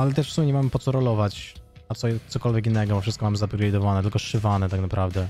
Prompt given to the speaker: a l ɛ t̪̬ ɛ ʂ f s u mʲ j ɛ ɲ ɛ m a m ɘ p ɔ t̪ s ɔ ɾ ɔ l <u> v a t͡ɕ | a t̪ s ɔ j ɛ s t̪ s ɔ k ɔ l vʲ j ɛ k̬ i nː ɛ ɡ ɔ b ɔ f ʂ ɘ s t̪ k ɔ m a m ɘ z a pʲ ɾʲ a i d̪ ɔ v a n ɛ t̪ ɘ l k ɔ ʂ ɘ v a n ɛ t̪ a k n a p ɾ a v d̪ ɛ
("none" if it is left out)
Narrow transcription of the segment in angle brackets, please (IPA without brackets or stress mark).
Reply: ɔ